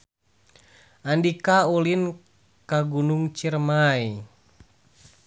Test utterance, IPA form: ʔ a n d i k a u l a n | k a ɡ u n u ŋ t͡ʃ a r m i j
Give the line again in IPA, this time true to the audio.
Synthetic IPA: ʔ a n d i k a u l i n | k a ɡ u n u ŋ t͡ʃ i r m a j